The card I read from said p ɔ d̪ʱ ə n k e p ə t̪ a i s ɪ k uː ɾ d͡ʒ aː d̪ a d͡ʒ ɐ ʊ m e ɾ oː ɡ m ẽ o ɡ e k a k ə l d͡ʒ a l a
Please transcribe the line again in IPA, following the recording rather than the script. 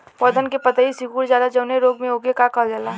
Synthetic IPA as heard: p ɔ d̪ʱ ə n k e p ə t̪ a i s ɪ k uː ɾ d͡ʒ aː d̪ a d͡ʒ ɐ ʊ n e ɾ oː ɡ m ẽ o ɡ e k a k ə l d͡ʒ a l a